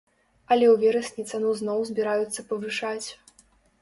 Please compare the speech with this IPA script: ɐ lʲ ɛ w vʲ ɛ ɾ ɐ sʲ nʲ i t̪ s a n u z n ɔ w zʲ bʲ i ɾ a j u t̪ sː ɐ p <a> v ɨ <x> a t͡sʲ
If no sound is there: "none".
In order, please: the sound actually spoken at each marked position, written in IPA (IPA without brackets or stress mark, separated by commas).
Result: ɐ, ʂ